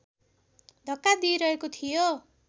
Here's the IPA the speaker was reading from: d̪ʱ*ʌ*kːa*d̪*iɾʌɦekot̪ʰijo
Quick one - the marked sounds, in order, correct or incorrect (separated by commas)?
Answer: correct, correct